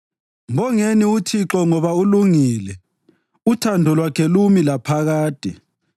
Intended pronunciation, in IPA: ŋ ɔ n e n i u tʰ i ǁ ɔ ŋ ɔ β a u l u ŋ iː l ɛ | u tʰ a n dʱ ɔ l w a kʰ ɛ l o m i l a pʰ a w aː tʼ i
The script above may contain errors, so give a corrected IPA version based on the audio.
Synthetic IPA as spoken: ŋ ɔ ŋ e n i u tʰ i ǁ ɔ ŋ ɔ β a u l u ŋ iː l ɛ | u tʰ a n dʱ ɔ l w a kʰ ɛ l u m i l a pʰ a ɣ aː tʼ i